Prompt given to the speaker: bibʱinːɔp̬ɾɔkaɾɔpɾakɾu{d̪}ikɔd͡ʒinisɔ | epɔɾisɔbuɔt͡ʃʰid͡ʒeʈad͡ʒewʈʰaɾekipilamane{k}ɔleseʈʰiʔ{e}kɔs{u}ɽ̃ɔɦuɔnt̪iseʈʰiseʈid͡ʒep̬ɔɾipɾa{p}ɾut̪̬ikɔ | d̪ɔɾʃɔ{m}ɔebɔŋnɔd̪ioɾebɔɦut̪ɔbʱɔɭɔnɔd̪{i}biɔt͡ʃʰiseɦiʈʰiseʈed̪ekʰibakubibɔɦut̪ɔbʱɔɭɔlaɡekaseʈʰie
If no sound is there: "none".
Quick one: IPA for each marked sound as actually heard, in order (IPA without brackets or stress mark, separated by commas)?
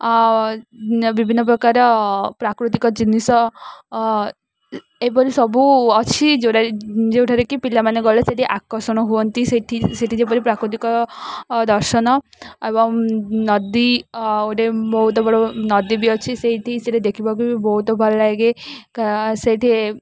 t̪, ɡ, a, ɔ, k, n, i